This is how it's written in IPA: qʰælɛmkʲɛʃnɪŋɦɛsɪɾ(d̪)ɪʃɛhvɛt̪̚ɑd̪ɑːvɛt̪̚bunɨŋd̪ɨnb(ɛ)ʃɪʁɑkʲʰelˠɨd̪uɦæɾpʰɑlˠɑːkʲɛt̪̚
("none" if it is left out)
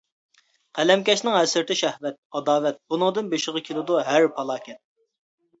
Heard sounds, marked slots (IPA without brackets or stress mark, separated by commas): t̪, e